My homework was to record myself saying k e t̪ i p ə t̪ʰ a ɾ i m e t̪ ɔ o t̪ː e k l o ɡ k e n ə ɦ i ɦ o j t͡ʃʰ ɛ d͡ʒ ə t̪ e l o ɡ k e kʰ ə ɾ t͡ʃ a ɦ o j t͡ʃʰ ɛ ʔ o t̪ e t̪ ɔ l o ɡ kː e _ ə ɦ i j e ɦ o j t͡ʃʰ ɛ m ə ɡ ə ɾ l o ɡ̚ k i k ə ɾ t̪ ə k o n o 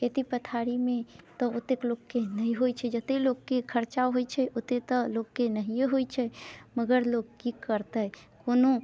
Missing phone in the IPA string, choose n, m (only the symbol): n